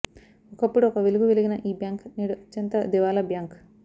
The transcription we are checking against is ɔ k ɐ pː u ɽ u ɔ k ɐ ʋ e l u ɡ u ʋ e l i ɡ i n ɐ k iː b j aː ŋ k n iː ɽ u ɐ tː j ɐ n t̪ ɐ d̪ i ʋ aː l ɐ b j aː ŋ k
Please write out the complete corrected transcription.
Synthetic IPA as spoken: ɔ k ɐ pː u ɽ u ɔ k ɐ ʋ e l u ɡ u ʋ e l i ɡ i n ɐ ʔ iː b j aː ŋ k n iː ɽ u ɐ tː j ɐ n t̪ ɐ d̪ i ʋ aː l ɐ b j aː ŋ k